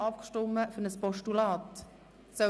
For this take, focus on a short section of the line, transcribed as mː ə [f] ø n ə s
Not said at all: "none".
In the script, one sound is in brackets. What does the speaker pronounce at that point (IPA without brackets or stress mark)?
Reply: f